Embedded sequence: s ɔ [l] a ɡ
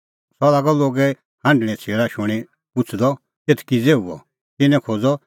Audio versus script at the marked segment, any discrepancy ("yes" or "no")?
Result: no